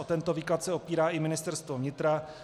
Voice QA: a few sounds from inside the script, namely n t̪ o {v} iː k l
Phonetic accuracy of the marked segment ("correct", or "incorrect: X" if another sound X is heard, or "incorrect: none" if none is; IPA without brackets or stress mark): correct